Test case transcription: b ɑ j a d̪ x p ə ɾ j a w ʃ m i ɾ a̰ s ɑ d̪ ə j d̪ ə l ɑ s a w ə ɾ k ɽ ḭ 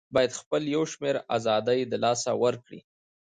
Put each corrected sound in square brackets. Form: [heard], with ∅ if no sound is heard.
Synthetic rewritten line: b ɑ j a d̪ x p ə [l] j a w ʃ m [e] ɾ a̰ [z] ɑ d̪ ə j d̪ ə l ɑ s a w ə ɾ k ɽ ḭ